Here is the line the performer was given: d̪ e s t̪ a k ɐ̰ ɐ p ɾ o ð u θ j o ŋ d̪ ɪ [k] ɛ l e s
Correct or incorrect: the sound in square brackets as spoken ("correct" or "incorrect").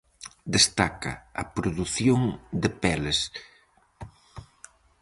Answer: incorrect